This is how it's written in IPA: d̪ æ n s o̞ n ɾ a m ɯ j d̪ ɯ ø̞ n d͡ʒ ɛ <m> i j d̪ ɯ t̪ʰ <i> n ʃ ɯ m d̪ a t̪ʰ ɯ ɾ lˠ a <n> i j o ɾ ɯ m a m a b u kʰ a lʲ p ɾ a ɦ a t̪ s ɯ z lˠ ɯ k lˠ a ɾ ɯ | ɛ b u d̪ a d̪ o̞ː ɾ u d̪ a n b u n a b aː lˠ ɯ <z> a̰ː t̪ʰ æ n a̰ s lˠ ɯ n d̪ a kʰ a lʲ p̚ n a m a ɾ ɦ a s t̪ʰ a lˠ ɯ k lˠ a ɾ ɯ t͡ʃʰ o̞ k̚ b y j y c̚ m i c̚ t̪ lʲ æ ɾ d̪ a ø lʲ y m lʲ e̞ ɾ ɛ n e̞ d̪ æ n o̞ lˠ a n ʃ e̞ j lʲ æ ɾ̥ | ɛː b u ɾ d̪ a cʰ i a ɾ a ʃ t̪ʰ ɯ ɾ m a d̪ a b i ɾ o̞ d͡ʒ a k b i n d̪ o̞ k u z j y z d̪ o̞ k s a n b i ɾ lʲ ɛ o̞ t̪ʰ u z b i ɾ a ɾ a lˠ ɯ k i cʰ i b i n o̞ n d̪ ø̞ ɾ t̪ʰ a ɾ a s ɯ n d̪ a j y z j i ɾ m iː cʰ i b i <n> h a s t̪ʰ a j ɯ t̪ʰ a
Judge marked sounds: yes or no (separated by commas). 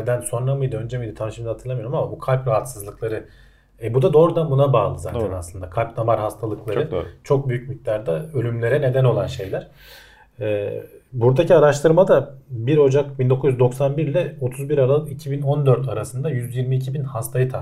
yes, no, no, yes, yes